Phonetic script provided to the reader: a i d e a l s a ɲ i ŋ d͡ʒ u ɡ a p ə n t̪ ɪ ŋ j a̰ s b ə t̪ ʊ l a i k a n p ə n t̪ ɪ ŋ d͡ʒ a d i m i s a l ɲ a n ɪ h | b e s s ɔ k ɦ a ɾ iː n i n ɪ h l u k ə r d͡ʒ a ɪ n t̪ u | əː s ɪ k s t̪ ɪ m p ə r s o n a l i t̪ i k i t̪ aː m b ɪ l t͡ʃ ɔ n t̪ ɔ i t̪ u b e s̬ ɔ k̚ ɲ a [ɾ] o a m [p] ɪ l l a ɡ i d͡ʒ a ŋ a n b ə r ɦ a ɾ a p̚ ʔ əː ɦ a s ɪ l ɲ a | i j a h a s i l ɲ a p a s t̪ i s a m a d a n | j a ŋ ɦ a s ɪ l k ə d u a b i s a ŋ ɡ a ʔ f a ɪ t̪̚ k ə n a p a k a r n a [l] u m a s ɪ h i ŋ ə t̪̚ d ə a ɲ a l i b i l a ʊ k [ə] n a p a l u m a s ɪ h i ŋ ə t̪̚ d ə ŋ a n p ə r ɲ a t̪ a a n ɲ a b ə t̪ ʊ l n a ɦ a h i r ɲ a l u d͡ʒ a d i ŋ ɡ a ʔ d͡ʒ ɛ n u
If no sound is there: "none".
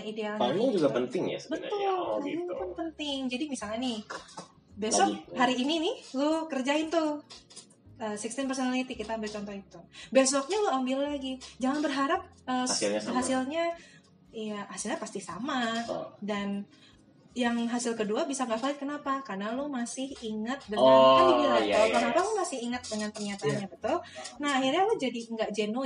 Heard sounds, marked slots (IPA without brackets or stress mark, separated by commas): l, b, l, ə